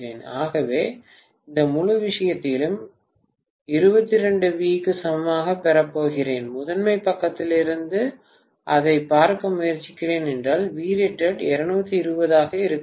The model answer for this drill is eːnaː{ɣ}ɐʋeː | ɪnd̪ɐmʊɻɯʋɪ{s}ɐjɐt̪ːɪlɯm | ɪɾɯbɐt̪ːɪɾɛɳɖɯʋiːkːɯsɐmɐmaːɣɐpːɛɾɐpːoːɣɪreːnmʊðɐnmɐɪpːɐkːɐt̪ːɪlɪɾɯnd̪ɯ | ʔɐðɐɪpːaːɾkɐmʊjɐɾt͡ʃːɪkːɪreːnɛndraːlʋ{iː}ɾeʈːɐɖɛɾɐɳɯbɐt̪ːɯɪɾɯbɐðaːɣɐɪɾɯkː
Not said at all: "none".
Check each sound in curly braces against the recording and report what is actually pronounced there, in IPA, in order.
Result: ɣ, ʂ, iː

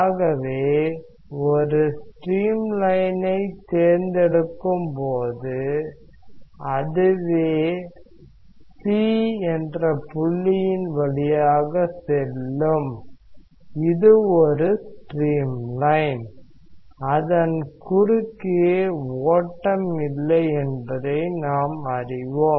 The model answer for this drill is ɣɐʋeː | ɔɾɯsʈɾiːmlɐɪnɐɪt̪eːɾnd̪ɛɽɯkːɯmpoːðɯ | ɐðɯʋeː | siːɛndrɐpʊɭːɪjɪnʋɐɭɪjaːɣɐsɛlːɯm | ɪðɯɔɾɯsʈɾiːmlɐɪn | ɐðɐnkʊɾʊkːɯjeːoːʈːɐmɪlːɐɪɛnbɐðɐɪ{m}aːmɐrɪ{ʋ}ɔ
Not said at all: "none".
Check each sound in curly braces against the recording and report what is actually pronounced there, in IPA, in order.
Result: n, ʋ

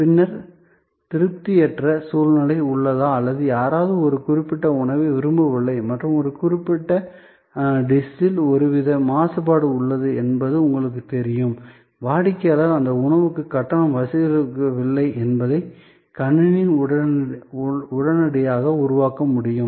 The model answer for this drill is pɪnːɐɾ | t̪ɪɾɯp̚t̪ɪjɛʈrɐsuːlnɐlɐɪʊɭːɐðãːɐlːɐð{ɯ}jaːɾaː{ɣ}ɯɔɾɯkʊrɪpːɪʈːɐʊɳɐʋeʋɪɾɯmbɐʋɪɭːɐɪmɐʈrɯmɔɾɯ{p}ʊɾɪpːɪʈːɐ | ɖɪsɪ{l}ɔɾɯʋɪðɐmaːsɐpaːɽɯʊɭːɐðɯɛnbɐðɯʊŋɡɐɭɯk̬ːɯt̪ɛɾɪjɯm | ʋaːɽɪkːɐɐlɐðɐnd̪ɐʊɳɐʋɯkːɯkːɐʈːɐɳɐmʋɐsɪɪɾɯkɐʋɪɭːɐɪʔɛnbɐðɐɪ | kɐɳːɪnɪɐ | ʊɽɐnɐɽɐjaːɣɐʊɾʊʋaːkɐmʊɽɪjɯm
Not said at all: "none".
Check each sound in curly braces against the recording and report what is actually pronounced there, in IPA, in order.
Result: ɯ, ð, k, l

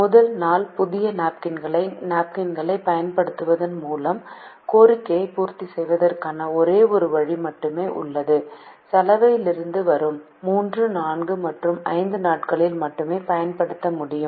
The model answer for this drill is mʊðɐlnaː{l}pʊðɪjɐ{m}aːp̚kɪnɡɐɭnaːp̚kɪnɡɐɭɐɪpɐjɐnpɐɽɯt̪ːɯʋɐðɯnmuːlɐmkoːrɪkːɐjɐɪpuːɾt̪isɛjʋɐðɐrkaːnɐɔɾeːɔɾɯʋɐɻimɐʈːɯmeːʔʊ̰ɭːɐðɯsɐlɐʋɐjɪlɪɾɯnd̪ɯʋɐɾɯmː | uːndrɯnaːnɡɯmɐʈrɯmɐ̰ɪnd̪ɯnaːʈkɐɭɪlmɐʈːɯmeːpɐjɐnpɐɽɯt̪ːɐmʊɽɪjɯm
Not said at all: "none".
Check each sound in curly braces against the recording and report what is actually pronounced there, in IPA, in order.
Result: l, n

